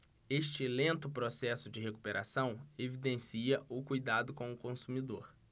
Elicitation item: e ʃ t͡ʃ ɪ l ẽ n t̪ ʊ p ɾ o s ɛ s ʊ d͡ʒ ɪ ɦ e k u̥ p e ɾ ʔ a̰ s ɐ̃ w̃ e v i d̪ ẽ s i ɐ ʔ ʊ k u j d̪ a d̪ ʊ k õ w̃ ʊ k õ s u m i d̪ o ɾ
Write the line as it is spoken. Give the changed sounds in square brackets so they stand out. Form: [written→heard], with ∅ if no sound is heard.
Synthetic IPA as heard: e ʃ t͡ʃ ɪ l ẽ n t̪ ʊ p ɾ o s ɛ s ʊ d͡ʒ ɪ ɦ e k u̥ p e ɾ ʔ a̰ s ɐ̃ w̃ e v i d̪ ẽ s i ɐ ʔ ʊ k u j d̪ a d̪ ʊ k õ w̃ ʊ k õ s u m i d̪ o ɾ